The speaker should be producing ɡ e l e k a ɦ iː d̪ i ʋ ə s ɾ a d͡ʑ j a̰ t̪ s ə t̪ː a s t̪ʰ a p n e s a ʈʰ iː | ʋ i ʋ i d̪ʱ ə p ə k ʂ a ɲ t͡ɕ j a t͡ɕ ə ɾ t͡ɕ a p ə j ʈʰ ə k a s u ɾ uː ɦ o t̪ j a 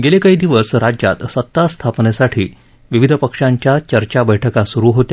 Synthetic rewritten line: ɡ e l e k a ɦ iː d̪ i ʋ ə s ɾ a d͡ʑ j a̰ t̪ s ə t̪ː a s t̪ʰ a p n e s a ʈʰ iː | ʋ i ʋ i d̪ʱ ə p ə k ʂ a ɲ t͡ɕ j a t͡ɕ ə ɾ t͡ɕ a b ə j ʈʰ ə k a s u ɾ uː ɦ o t̪ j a